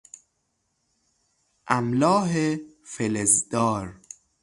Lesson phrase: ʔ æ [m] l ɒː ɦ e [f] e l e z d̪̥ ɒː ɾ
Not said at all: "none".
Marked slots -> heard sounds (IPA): m, f

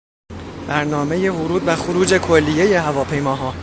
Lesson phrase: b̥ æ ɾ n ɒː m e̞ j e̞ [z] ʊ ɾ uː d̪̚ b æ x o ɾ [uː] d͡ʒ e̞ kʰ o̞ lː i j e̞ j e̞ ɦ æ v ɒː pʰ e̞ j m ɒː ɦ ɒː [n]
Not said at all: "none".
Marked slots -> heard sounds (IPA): v, uː, none

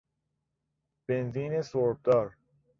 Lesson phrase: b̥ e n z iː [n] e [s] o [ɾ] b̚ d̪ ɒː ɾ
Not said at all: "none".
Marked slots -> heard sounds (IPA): n, s, ɾ

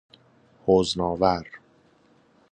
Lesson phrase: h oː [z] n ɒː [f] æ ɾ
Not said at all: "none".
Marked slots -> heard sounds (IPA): z, v

